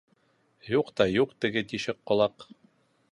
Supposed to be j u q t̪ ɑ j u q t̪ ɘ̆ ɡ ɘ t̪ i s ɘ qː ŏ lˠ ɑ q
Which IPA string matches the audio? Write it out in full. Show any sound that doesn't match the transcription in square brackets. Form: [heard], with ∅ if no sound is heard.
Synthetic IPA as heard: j u q t̪ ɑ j u q t̪ ɘ̆ ɡ ɘ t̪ i [ʃ] ɘ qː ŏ lˠ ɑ q